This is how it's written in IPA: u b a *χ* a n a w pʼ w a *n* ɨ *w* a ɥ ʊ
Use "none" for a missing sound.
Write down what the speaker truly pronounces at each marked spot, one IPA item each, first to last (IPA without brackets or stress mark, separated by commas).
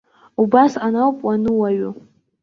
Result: s, n, w